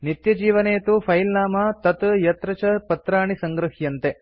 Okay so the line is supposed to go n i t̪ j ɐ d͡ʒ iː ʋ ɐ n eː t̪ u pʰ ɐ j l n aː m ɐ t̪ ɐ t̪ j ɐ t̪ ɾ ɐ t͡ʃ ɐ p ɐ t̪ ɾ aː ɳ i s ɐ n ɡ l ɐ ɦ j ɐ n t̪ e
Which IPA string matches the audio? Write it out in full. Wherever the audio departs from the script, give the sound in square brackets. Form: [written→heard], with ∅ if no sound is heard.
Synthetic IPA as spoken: n i t̪ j ɐ d͡ʒ iː ʋ ɐ n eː t̪ u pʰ ɐ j l n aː m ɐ t̪ ɐ t̪ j ɐ t̪ ɾ ɐ t͡ʃ ɐ p ɐ t̪ ɾ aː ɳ i s ɐ [n→ŋ] ɡ [l→ɾ] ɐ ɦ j ɐ n t̪ e